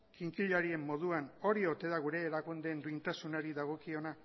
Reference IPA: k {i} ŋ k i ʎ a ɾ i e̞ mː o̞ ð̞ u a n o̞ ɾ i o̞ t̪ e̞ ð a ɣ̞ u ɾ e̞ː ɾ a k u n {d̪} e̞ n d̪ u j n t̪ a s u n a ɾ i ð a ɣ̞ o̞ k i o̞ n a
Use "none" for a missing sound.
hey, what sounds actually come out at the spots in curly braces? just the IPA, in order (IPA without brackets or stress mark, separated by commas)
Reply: i, d̪